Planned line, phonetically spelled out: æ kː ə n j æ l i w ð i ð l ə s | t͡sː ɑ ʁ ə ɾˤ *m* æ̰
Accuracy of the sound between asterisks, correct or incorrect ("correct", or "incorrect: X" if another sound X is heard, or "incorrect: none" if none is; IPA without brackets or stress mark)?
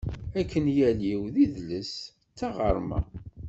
correct